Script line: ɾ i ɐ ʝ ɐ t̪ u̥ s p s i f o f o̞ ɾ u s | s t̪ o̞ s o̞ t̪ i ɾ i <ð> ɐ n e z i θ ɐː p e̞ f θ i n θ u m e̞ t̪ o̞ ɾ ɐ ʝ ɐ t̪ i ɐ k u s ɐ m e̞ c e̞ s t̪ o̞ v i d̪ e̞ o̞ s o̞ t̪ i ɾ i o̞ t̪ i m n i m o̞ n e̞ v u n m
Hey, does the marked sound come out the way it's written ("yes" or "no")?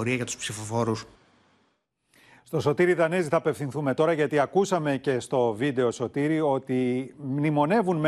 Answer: yes